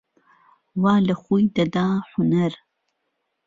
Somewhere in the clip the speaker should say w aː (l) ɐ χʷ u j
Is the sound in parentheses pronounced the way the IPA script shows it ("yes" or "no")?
yes